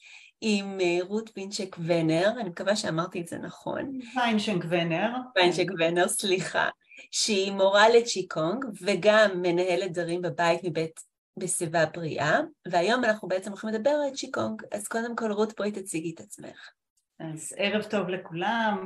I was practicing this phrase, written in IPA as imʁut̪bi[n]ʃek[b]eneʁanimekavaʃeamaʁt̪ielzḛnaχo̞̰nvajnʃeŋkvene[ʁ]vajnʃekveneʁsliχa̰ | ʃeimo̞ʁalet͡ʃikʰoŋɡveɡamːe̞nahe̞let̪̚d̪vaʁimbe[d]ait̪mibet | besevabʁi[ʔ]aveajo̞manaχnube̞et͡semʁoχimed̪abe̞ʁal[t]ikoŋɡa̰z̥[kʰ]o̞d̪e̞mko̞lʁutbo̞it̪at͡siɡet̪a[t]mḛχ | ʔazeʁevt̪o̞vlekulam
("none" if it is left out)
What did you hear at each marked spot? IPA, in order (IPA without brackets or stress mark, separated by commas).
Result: n, v, ʁ, b, ʔ, t͡ʃ, k, t͡s